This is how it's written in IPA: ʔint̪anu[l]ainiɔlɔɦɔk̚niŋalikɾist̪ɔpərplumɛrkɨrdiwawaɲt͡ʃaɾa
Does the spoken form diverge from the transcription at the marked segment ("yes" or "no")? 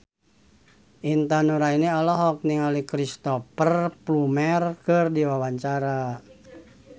yes